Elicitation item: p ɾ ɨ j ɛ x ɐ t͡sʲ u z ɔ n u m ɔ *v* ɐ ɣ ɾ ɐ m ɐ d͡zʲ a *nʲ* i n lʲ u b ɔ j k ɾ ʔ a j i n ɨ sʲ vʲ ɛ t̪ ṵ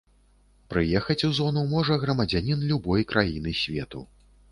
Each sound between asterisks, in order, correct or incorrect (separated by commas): incorrect, correct